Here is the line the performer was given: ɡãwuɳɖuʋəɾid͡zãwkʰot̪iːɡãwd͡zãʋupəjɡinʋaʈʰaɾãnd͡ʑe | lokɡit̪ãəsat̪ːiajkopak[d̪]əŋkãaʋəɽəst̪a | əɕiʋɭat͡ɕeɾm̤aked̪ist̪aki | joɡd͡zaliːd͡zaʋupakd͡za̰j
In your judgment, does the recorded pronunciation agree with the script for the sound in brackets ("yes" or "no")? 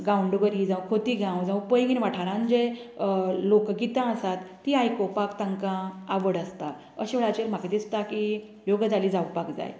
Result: no